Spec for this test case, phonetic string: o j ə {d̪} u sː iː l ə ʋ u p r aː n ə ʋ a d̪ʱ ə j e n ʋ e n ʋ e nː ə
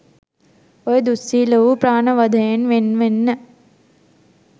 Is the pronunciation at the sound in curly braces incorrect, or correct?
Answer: correct